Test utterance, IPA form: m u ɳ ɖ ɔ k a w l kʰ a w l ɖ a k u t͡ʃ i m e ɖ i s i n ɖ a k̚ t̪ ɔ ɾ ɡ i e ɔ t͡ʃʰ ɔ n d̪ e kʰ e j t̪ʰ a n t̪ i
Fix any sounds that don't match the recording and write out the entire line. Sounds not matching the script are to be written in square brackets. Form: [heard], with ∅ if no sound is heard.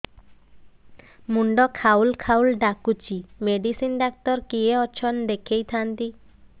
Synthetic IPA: m u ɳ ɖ ɔ [kʰ] a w l kʰ a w l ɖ a k u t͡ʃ i m e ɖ i s i n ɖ a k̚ t̪ ɔ ɾ [k] i e ɔ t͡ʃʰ ɔ n d̪ e kʰ e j t̪ʰ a n t̪ i